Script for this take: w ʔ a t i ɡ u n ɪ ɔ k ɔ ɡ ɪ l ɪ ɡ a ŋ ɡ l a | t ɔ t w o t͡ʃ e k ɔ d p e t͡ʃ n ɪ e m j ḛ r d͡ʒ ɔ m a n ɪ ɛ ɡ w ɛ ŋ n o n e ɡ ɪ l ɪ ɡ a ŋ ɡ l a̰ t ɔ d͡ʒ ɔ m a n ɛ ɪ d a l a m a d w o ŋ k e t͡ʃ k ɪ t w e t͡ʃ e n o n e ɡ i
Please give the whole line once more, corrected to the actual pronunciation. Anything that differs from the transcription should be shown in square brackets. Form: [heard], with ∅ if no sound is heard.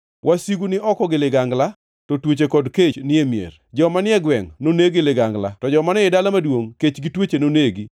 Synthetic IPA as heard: w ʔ a [s] i ɡ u n ɪ ɔ k ɔ ɡ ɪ l ɪ ɡ a ŋ ɡ l a | t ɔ t w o t͡ʃ e k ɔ d [k] e t͡ʃ n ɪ e m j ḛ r d͡ʒ ɔ m a n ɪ ɛ ɡ w ɛ ŋ n o n e ɡ ɪ l ɪ ɡ a ŋ ɡ l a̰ t ɔ d͡ʒ ɔ m a n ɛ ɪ d a l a m a d w o ŋ k e t͡ʃ [ɡ] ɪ t w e t͡ʃ e n o n e ɡ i